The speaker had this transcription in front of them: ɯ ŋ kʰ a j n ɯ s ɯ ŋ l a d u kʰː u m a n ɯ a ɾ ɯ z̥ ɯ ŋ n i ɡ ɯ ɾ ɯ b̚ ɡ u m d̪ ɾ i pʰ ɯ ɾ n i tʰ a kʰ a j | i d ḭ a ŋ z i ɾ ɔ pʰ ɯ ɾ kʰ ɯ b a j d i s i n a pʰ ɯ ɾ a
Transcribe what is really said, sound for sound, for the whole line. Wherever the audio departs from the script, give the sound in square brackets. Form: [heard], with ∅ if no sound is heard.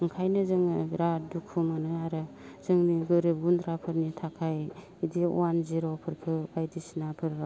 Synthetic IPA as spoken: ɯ ŋ kʰ a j n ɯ [z] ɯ ŋ [ɾ] a d u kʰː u m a n ɯ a ɾ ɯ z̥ ɯ ŋ n i ɡ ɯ ɾ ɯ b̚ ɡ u [n] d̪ ɾ [a] pʰ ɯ ɾ n i tʰ a kʰ a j | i d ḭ a [n] z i ɾ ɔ pʰ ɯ ɾ kʰ ɯ b a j d i s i n a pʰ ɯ ɾ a